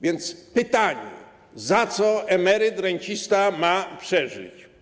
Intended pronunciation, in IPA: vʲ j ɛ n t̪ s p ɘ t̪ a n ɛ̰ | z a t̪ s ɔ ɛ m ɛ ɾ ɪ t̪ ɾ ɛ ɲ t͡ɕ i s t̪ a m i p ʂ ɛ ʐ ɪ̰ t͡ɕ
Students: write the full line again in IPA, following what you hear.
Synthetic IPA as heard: vʲ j ɛ n t̪ s p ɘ t̪ a ɲ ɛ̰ | z a t̪ s ɔ ɛ m ɛ ɾ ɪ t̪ ɾ ɛ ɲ t͡ɕ i s t̪ a m a p ʂ ɛ ʐ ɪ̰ t͡ɕ